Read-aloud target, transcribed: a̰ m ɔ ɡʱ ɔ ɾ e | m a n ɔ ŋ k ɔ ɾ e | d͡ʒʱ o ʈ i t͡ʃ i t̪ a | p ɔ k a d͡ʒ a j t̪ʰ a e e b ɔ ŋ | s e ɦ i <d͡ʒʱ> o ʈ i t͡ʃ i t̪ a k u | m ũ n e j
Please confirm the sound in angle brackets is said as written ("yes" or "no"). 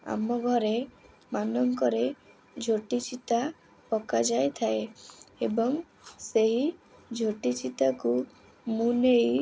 yes